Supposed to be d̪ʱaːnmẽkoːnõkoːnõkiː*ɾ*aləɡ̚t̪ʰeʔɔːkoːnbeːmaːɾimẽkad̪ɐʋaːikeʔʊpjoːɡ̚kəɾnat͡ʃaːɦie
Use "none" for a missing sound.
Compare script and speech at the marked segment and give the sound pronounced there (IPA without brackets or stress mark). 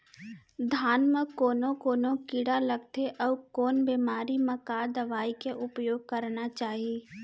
ɽ